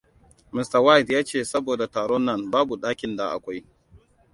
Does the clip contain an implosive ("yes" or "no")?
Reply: yes